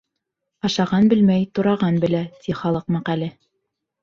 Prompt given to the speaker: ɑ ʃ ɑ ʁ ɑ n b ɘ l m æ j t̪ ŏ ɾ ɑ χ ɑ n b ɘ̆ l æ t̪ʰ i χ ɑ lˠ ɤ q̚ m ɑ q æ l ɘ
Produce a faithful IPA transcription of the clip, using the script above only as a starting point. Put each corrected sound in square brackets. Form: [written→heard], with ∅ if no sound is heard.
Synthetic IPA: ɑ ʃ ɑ ʁ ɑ n b ɘ l m æ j t̪ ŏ ɾ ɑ [χ→ʁ] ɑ n b ɘ̆ l æ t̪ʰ i χ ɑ lˠ ɤ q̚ m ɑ q æ l ɘ